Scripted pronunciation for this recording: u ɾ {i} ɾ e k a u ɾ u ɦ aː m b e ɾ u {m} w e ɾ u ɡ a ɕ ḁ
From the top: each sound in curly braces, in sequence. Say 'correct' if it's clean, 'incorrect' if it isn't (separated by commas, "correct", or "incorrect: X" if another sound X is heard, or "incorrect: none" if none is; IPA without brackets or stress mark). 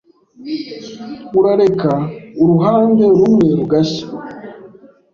incorrect: a, correct